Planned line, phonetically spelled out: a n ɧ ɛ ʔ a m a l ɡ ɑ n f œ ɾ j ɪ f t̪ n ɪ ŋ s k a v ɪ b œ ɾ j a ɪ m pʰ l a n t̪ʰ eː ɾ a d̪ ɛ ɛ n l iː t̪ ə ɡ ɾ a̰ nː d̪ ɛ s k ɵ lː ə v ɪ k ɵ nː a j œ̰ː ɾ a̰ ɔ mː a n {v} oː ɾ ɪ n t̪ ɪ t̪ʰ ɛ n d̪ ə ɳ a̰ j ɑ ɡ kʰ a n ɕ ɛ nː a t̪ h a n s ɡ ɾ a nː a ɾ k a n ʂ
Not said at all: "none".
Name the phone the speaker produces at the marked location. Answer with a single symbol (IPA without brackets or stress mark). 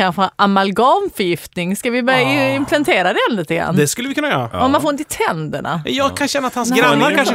f